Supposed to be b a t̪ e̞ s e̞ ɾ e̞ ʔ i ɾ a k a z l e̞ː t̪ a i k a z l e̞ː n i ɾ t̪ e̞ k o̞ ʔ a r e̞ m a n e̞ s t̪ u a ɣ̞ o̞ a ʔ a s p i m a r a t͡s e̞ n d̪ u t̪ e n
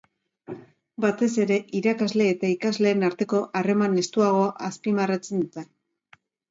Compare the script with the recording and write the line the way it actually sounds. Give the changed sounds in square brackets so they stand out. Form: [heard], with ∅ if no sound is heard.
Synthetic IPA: b a t̪ e̞ s e̞ ɾ e̞ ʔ i ɾ a k a z l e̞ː t̪ a i k a z l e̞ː n [a] ɾ t̪ e̞ k o̞ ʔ a r e̞ m a n e̞ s t̪ u a ɣ̞ o̞ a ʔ a s p i m a r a t͡s e̞ n d̪ u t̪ e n